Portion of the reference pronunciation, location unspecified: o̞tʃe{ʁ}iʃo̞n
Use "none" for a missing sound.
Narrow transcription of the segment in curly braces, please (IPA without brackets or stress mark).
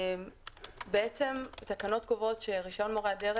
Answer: ʁ